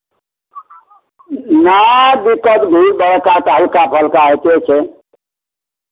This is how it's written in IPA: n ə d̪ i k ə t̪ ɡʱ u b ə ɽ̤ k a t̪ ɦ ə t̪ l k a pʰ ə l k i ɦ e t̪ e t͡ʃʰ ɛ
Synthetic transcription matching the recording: n a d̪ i k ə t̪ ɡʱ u b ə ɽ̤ k a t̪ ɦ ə l k a pʰ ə l k a ɦ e t̪ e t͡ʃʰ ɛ